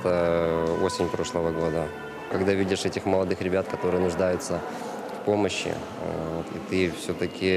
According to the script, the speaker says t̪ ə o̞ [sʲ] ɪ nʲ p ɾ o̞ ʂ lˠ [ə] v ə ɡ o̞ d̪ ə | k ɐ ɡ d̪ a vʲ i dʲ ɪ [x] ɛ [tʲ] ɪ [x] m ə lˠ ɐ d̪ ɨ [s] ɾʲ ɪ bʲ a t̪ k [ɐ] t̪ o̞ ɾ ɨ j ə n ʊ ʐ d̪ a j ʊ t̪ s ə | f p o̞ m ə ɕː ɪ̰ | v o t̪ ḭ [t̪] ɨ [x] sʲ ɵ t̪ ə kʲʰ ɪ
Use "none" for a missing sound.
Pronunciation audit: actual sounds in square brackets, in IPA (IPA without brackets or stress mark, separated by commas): sʲ, ə, ʂ, tʲ, x, x, ɐ, t̪, f